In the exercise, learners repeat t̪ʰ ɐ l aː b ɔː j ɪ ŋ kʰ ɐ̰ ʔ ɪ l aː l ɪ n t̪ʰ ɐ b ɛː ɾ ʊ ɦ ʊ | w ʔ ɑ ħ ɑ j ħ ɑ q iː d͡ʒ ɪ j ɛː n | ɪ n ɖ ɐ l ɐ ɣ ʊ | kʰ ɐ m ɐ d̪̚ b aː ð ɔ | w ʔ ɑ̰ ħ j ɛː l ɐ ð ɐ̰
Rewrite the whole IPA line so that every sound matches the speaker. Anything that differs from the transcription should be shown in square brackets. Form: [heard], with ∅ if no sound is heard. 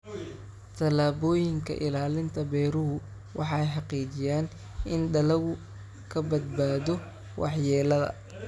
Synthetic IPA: t̪ʰ ɐ l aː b ɔː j ɪ ŋ kʰ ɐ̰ ʔ ɪ l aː l ɪ n t̪ʰ ɐ b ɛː ɾ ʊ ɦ ʊ | w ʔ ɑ ħ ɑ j ħ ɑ q iː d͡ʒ ɪ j [aː] n | ɪ n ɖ ɐ l ɐ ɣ ʊ | kʰ ɐ [b] ɐ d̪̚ b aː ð ɔ | w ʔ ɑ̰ ħ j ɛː l ɐ ð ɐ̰

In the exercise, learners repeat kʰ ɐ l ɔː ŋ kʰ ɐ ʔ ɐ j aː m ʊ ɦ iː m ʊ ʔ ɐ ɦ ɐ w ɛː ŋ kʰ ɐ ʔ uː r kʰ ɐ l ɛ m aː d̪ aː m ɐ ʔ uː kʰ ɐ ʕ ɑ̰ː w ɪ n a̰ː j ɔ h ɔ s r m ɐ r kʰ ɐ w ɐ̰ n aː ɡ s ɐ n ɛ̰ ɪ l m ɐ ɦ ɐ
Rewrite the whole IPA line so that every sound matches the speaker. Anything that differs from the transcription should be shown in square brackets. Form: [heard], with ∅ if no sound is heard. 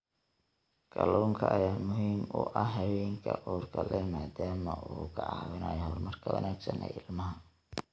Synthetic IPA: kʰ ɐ l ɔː ŋ kʰ ɐ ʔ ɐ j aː m ʊ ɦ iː m ʊ ʔ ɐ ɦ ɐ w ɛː ŋ kʰ ɐ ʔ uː r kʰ ɐ l ɛ m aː d̪ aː m ɐ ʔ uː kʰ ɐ ʕ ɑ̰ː w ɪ n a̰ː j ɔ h ɔ [∅] r m ɐ r kʰ ɐ w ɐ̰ n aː ɡ s ɐ n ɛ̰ ɪ l m ɐ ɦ ɐ

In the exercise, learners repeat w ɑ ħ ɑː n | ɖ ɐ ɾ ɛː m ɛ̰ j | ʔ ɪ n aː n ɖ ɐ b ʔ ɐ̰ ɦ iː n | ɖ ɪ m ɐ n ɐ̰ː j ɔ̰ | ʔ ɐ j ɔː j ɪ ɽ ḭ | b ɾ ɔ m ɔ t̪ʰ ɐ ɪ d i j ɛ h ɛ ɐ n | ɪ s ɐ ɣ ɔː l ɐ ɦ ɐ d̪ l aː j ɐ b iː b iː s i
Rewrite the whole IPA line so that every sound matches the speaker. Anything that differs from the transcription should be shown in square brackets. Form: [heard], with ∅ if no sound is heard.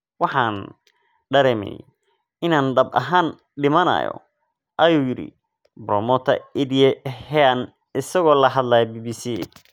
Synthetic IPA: w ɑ ħ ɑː n | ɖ ɐ ɾ ɛː m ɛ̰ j | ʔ ɪ n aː n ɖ ɐ b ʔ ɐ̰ ɦ [aː] n | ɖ ɪ m ɐ n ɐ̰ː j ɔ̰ | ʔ ɐ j [uː] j ɪ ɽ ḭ | b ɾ ɔ m ɔ t̪ʰ ɐ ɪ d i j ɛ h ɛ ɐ n | ɪ s ɐ ɣ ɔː l ɐ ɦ ɐ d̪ l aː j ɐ b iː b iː s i

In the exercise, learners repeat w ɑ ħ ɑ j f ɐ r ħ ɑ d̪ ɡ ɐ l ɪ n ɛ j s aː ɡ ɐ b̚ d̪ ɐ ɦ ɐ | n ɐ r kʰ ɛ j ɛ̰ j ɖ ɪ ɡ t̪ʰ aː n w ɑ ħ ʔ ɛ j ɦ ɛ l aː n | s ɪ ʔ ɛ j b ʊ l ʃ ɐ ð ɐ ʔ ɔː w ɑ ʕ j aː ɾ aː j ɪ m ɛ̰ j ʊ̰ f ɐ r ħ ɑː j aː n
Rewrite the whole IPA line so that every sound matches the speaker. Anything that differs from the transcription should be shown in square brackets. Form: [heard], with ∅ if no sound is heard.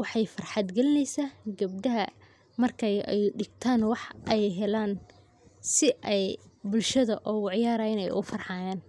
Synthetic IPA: w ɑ ħ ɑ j f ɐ r ħ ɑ d̪ ɡ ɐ l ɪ n ɛ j s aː ɡ ɐ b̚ d̪ ɐ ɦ ɐ | [m] ɐ r kʰ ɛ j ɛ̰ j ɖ ɪ ɡ t̪ʰ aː n w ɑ ħ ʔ ɛ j ɦ ɛ l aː n | s ɪ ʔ ɛ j b ʊ l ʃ ɐ ð ɐ ʔ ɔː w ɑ ʕ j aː ɾ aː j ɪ [n] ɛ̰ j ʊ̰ f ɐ r ħ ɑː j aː n

